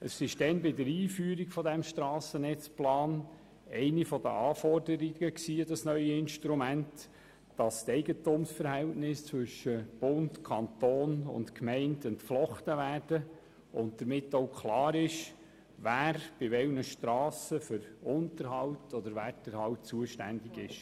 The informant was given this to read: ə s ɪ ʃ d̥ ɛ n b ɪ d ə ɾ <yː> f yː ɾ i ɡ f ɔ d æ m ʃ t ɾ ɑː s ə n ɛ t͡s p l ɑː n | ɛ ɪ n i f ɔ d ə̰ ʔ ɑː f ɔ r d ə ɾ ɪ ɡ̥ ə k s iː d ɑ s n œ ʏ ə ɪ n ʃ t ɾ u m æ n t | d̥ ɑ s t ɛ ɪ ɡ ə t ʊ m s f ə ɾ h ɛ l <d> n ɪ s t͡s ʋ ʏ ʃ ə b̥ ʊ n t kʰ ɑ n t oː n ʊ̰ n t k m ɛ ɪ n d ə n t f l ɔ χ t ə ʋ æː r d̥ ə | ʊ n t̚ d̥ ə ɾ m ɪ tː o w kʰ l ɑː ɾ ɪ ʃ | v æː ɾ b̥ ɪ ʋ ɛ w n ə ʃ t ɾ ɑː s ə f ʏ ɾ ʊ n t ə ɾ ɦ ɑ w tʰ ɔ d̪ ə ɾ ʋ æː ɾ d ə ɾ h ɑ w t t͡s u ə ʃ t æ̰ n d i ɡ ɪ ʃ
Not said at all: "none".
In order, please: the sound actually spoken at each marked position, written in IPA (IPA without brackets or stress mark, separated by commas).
iː, t